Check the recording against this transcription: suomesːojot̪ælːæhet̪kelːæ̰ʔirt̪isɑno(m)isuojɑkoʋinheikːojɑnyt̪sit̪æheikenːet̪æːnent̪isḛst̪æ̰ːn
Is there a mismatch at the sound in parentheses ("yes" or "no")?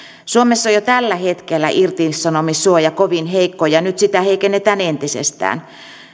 no